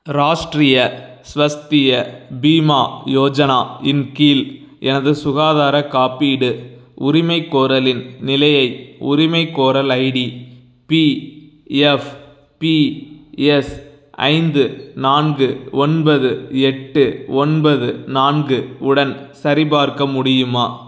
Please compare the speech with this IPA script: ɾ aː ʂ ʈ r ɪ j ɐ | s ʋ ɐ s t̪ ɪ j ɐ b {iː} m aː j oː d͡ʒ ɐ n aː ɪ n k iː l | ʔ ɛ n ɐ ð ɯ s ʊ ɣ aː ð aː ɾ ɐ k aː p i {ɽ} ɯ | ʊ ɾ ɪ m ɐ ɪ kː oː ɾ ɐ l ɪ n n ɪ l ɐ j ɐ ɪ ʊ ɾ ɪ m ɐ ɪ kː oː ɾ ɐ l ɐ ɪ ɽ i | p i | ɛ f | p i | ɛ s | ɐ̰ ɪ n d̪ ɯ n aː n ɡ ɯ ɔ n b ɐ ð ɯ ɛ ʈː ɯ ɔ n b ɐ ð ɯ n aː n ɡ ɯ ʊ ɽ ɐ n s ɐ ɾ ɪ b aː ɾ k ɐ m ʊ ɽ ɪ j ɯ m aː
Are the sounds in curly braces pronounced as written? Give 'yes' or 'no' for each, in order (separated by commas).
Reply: yes, yes